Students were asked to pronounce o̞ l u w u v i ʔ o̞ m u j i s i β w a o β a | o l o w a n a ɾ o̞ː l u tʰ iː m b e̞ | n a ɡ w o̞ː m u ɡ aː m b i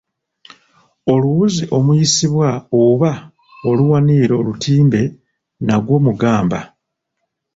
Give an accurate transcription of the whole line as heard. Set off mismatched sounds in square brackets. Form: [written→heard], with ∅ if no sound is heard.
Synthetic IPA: o̞ l u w u [v→z] i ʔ o̞ m u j i s i β w a o β a | o l [o→u] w a n [a→i] ɾ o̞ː l u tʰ iː m b e̞ | n a ɡ w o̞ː m u ɡ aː m b [i→a]